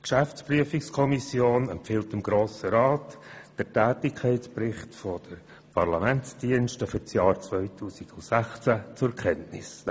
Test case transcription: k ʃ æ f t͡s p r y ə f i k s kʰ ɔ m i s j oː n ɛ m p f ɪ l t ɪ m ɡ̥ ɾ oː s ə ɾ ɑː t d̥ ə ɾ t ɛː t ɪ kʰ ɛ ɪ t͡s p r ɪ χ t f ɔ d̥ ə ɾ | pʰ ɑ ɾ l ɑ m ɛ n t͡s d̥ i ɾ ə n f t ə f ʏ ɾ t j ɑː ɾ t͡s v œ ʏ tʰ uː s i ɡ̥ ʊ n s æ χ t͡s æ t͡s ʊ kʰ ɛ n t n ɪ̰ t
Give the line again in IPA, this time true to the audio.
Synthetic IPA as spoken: k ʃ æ f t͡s p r y ə f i k s kʰ ɔ m i s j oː n ɛ m p f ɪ l t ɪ m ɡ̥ ɾ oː s ə ɾ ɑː t d̥ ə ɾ t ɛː t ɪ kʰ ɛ ɪ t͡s p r ɪ χ t f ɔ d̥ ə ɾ | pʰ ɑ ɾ l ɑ m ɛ n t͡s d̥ i ə n ʃ t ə f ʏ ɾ t͡s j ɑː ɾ t͡s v œ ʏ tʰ uː s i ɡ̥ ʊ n s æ χ t͡s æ t͡s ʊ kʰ ɛ n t n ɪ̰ s